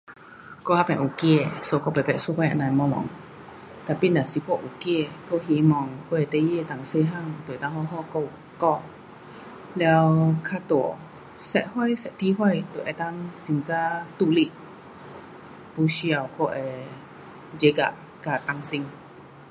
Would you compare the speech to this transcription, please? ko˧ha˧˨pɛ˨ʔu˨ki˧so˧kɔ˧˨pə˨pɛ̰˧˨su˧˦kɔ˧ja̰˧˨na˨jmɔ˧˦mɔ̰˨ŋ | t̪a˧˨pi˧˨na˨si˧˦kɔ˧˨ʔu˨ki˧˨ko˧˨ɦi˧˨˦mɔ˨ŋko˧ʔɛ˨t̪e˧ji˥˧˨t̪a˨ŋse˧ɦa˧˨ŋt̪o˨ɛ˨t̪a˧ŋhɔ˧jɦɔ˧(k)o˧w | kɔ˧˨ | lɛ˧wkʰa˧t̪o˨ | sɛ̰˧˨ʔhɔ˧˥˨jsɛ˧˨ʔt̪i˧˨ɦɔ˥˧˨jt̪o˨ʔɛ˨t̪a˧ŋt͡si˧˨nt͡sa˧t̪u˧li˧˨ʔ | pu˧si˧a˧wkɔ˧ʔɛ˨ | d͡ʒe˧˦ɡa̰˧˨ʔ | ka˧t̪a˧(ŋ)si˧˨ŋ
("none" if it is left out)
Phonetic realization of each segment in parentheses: k, ŋ

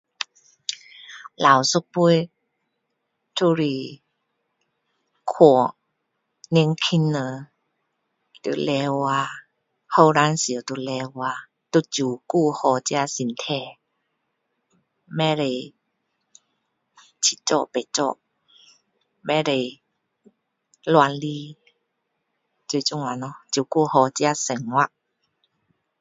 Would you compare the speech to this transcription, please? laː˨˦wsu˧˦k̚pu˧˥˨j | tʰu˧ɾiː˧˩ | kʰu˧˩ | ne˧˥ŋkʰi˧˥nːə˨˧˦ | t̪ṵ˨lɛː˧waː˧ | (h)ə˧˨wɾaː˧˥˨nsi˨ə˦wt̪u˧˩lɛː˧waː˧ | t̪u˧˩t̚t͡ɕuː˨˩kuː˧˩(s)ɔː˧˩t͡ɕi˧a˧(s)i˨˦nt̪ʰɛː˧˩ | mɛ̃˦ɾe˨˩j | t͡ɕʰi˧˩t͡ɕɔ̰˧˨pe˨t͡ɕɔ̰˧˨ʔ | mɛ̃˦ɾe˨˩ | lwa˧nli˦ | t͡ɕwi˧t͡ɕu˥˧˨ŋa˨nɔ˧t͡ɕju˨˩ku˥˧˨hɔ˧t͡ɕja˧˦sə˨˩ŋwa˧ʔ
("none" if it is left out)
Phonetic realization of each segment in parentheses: h, h, s

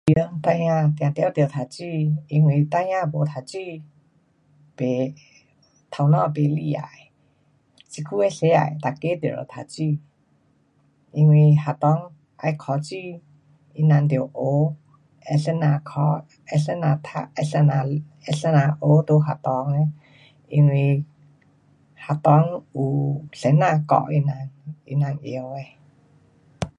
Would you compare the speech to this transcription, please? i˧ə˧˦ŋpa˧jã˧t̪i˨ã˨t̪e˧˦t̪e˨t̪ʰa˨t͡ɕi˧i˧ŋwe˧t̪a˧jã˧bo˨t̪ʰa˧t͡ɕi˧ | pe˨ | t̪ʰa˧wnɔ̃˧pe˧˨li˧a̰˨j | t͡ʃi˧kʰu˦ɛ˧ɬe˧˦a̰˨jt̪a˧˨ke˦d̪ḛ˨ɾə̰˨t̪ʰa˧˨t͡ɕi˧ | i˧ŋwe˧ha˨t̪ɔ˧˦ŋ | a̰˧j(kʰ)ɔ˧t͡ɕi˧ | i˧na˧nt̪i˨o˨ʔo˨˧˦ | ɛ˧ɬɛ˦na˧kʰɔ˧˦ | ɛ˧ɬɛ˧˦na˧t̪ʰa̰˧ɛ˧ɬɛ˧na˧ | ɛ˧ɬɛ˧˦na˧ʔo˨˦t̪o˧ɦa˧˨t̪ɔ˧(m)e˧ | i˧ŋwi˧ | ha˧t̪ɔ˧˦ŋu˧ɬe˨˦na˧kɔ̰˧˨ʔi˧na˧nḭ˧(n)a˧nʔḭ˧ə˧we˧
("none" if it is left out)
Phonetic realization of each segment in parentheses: kʰ, ŋ, n

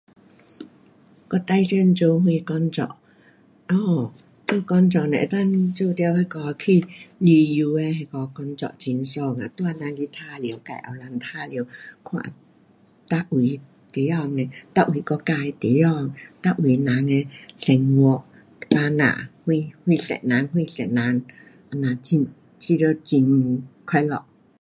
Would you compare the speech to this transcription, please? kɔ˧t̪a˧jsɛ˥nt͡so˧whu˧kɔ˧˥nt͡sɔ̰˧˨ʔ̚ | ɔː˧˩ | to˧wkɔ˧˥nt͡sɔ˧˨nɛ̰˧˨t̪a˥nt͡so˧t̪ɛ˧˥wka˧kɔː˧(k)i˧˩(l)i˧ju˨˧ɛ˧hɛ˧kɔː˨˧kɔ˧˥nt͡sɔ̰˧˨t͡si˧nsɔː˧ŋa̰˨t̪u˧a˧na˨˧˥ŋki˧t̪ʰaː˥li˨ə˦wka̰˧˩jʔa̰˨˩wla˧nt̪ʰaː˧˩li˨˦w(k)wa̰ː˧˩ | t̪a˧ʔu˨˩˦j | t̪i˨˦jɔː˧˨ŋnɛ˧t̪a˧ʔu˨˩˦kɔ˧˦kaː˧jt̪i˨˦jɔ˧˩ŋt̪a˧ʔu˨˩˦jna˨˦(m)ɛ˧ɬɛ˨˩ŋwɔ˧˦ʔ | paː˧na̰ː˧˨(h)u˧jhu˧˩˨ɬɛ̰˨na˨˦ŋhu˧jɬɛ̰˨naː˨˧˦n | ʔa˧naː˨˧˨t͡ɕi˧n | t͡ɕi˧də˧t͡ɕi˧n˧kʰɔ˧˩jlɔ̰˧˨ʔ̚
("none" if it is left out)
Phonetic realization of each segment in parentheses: kʰ, l, kʰ, ŋ, h

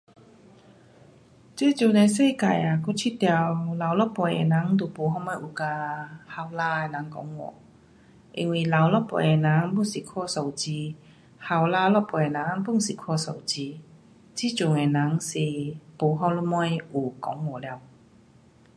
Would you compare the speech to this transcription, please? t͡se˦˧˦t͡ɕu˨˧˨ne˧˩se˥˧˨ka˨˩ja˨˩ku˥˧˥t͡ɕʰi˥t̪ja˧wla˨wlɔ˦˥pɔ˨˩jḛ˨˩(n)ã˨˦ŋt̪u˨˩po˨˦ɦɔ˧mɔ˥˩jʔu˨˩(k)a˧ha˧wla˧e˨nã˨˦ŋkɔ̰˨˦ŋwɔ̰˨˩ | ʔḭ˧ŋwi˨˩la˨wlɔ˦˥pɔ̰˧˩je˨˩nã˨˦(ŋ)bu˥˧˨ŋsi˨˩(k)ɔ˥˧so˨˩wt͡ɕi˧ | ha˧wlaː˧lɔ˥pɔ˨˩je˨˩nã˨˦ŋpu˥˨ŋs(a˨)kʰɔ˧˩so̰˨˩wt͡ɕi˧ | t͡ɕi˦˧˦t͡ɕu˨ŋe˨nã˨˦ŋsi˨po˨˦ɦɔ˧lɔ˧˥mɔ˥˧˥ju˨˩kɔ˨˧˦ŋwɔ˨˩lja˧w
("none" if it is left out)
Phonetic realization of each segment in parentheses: n, k, ŋ, kʰ, i˨

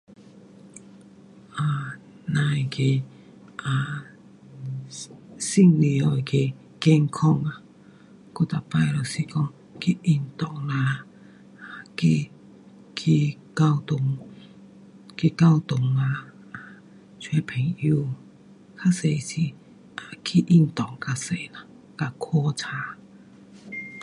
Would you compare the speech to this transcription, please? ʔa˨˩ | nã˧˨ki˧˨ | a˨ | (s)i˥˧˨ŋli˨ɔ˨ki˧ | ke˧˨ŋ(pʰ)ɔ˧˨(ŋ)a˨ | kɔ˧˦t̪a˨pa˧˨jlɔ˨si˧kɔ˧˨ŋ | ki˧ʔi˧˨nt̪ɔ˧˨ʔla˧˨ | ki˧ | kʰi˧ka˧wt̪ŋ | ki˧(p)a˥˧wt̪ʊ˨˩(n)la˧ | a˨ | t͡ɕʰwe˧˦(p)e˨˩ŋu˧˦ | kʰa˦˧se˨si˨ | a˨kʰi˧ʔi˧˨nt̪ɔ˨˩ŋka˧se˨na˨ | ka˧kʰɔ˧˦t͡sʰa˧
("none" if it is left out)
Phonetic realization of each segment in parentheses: s, kʰ, ŋ, k, ŋ, pʰ

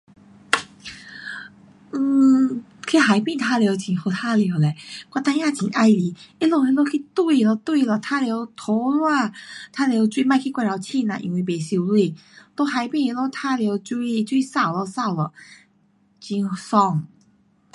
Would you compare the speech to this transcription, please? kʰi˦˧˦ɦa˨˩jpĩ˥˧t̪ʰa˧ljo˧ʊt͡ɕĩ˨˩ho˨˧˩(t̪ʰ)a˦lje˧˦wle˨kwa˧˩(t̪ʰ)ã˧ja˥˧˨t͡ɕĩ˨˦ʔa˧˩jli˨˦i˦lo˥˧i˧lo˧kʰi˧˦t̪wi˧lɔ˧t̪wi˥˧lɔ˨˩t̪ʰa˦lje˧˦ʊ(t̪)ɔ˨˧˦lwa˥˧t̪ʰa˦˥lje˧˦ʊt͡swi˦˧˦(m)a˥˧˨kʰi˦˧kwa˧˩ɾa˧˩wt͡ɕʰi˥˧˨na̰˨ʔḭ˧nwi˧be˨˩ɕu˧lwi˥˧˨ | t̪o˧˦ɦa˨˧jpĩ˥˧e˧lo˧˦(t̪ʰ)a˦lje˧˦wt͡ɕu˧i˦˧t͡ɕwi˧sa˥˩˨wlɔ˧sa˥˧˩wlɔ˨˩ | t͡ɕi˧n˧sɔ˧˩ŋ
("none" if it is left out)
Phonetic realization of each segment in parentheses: t̪ʰ, t̪, t̪ʰ, m, t̪ʰ

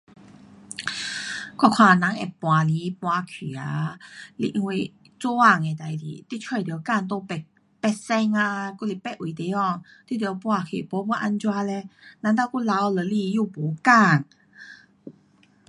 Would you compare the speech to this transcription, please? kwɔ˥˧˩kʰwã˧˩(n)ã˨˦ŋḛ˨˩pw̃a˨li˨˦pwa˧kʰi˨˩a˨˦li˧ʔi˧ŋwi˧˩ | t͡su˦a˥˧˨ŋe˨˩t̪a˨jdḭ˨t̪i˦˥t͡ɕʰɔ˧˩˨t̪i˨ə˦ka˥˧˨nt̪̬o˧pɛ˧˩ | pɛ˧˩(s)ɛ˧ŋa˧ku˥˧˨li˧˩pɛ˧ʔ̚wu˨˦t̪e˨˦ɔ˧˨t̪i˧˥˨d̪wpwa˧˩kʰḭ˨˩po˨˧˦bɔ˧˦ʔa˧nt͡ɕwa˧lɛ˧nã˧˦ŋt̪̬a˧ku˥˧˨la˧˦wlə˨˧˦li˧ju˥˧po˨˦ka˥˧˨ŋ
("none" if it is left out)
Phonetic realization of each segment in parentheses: n, s

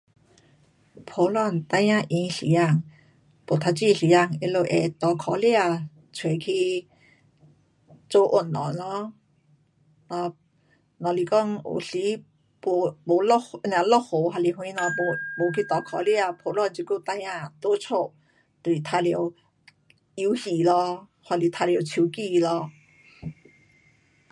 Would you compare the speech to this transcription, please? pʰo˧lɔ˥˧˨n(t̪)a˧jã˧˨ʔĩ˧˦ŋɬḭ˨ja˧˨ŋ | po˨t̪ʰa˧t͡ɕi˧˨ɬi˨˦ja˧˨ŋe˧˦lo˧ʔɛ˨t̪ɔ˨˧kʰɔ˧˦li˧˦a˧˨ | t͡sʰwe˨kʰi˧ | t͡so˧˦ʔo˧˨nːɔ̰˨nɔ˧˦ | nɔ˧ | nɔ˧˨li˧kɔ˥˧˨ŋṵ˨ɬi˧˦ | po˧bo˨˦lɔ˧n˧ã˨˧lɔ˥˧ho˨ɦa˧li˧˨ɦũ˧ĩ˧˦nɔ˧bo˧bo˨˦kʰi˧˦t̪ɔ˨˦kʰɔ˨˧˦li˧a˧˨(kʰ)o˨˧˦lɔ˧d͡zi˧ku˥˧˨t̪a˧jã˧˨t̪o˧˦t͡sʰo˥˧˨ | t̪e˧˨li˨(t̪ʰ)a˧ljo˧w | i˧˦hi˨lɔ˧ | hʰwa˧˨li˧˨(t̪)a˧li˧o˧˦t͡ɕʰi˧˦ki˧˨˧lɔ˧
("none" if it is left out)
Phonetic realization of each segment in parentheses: t̪, pʰ, t̪ʰ, t̪ʰ

